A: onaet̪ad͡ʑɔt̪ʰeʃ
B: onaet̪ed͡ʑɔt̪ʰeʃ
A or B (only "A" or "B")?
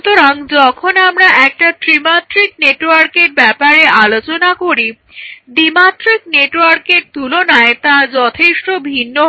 A